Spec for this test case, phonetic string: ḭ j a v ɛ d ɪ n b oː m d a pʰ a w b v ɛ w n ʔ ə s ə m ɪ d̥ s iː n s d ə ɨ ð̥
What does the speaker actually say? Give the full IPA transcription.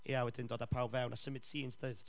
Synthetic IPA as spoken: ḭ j a w ɛ d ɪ n d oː d a pʰ a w b v ɛ w n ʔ a s ə m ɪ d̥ s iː n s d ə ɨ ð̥